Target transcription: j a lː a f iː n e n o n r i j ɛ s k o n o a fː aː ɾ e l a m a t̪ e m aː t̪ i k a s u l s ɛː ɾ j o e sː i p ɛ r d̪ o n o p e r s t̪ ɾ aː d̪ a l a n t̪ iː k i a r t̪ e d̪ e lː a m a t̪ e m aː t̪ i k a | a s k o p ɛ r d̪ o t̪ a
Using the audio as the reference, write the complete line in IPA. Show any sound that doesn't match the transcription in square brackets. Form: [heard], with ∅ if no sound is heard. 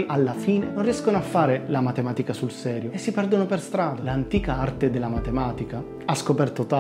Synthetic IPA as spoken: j a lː a f iː n e n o n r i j ɛ s k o n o a fː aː ɾ e l a m a t̪ e m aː t̪ i k a s u l s ɛː ɾ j o e sː i p ɛ r d̪ o n o p e r s t̪ ɾ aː d̪ a l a n t̪ iː k [a] a r t̪ e d̪ e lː a m a t̪ e m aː t̪ i k a | a s k o p ɛ r [t̪] o t̪ a